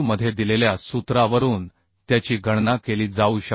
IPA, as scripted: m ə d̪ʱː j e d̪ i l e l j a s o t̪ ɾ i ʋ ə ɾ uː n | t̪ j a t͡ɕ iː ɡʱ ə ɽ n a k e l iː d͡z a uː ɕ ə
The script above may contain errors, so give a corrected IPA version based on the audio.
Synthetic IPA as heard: m ə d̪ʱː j e d̪ i l e l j a s u t̪ ɾ a ʋ ə ɾ uː n | t̪ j a t͡ɕ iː ɡʱ ə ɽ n a k e l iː d͡z a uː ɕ ə